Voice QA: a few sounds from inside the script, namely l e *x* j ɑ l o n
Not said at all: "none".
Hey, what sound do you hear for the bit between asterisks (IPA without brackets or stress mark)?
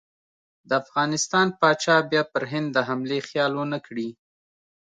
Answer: x